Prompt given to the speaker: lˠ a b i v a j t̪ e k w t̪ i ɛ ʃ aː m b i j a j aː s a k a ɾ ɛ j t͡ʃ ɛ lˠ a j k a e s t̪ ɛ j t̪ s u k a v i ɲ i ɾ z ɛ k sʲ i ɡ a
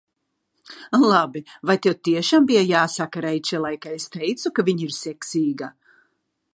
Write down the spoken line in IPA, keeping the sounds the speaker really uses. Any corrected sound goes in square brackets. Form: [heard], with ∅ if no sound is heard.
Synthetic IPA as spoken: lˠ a b i v a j t̪ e [∅] w t̪ i ɛ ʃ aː m b i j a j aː s a k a ɾ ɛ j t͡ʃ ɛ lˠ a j k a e s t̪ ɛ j t̪ s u k a v i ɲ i ɾ [s] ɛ k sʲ [iː] ɡ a